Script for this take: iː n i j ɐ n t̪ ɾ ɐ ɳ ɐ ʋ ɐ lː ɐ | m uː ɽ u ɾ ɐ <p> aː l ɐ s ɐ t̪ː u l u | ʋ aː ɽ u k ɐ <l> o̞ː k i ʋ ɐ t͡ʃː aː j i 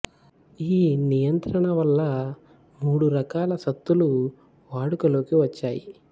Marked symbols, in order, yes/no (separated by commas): no, yes